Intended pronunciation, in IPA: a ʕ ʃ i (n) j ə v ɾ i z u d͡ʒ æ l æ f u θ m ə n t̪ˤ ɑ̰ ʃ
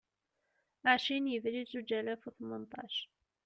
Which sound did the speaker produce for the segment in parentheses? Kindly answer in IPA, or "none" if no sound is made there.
n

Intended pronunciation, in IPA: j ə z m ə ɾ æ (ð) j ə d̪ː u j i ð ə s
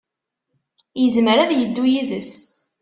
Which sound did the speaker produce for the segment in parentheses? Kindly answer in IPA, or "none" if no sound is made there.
ð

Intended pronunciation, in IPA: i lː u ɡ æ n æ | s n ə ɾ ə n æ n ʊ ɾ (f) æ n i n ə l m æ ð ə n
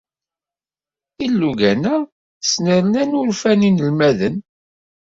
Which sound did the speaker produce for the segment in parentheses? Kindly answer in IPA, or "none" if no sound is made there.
f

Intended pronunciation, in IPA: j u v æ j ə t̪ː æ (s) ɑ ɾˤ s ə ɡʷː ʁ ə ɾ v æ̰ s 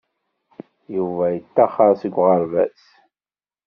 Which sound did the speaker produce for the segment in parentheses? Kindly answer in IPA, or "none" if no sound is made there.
χ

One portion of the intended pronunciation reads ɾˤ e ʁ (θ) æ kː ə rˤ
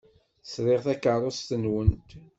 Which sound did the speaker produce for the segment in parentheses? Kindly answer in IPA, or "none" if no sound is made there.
θ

